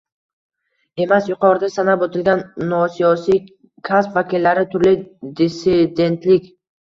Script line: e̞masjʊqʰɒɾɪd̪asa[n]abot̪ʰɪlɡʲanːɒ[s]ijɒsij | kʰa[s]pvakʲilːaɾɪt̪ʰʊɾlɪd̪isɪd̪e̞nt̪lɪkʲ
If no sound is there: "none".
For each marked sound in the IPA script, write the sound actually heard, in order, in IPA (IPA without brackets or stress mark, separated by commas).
n, s, s